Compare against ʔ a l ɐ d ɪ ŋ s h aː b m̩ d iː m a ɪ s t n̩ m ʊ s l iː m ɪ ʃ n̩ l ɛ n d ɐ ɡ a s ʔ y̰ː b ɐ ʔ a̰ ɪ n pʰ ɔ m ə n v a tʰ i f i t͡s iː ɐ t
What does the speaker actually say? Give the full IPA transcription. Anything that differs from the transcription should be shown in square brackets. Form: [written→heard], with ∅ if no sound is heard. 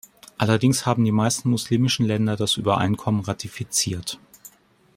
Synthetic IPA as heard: ʔ a l ɐ d ɪ ŋ s h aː b m̩ d iː m a ɪ s t n̩ m ʊ s l iː m ɪ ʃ n̩ l ɛ n d ɐ [ɡ→d] a s ʔ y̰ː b ɐ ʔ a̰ ɪ n [pʰ→kʰ] ɔ m ə n [v→ʁ] a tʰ i f i t͡s iː ɐ t